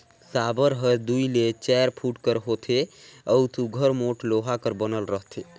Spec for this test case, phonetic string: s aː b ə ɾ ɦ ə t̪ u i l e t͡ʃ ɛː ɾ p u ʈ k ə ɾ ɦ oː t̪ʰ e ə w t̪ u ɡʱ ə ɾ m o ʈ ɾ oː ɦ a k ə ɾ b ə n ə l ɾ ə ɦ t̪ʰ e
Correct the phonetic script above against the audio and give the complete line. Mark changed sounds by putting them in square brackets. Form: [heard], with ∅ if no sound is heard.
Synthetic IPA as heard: s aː b ə ɾ ɦ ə [d̪] u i l e t͡ʃ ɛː ɾ [pʰ] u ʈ k ə ɾ ɦ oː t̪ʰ e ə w t̪ u ɡʱ ə ɾ m o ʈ [l] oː ɦ a k ə ɾ b ə n ə l ɾ ə ɦ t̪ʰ e